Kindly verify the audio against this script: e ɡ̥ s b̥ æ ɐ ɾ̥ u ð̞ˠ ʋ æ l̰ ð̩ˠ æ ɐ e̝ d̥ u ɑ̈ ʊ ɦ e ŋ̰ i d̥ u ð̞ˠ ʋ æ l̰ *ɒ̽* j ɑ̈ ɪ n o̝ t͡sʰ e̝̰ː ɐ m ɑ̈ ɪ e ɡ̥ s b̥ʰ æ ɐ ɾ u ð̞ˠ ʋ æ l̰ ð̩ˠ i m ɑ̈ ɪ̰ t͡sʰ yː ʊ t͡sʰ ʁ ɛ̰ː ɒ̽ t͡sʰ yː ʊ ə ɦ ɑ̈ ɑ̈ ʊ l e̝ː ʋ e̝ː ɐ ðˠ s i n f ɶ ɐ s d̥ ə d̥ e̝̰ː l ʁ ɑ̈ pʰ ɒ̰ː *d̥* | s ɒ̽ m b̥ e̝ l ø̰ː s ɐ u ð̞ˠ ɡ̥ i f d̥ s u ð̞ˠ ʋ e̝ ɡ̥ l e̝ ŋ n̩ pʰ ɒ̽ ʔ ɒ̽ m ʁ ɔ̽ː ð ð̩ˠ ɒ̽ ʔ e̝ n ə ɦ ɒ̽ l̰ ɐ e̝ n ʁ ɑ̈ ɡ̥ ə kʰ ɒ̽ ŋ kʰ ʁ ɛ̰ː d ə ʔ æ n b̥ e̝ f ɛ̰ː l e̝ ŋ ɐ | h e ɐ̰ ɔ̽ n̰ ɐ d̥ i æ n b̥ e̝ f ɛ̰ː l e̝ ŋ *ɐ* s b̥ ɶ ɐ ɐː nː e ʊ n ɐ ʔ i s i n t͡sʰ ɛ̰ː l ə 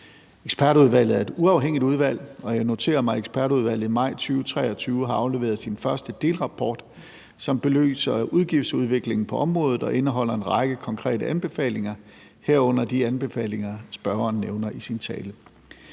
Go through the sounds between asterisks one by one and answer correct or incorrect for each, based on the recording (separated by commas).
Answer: correct, correct, correct